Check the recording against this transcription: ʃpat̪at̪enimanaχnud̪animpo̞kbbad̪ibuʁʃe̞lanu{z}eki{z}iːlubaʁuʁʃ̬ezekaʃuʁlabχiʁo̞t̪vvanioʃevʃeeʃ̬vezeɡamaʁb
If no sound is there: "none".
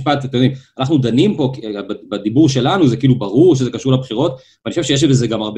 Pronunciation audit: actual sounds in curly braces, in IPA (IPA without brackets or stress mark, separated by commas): z, none